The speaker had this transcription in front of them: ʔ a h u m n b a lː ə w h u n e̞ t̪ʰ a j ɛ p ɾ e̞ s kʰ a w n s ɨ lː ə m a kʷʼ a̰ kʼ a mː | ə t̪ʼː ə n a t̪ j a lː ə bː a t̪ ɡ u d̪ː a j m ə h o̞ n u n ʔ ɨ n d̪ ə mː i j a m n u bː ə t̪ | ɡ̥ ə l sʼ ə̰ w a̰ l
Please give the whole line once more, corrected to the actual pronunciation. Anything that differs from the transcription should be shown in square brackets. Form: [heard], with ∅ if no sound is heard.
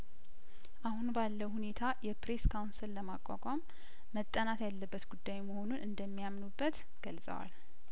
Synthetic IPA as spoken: ʔ a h u [∅] n b a lː ə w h u n e̞ t̪ʰ a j ɛ p ɾ e̞ s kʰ a w n s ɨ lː ə m a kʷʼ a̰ kʼ a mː | ə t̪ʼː ə n a t̪ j a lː ə bː [ə] t̪ ɡ u d̪ː a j m ə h o̞ n u n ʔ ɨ n d̪ ə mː i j a m n u bː ə t̪ | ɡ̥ ə l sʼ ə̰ w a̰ l